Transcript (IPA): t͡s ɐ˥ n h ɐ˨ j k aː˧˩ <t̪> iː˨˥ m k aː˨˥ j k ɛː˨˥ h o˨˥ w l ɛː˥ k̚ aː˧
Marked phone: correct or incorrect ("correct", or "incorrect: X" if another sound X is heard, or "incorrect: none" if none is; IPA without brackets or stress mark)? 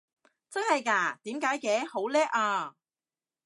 correct